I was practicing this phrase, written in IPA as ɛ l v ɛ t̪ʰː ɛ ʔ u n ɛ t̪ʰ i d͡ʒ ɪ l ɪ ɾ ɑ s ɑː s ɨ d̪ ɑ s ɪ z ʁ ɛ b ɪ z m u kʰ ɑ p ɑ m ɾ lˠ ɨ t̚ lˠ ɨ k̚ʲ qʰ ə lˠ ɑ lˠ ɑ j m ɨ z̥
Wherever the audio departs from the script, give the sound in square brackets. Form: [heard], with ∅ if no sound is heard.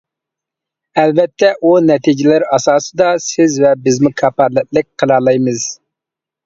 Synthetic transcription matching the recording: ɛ l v ɛ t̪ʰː ɛ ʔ u n ɛ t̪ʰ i d͡ʒ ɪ l ɪ ɾ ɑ s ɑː s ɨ d̪ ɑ s ɪ z [v] ɛ b ɪ z m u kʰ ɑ p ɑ [∅] ɾ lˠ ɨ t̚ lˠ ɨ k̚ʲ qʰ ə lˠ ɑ lˠ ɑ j m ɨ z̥